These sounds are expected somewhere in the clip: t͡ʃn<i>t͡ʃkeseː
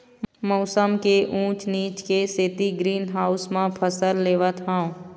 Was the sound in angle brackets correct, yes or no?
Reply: no